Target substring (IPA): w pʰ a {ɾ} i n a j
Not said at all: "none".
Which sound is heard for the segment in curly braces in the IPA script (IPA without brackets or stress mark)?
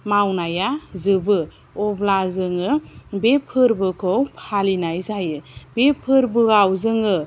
l